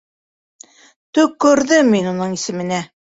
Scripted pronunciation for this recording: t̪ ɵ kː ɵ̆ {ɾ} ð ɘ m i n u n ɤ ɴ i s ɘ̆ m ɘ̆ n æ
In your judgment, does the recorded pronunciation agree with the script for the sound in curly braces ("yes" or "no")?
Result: yes